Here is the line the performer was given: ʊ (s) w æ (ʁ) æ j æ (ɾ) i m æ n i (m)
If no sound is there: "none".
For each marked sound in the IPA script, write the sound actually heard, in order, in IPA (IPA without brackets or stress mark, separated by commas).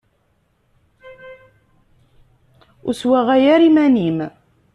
s, ʁ, ɾ, m